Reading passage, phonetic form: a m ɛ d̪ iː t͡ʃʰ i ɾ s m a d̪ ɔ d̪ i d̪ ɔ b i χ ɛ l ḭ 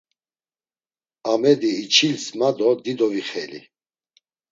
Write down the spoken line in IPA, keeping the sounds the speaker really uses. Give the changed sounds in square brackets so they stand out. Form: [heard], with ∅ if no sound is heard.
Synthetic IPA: a m ɛ d̪ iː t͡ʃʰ i [l] s m a d̪ ɔ d̪ i d̪ ɔ [v] i χ ɛ l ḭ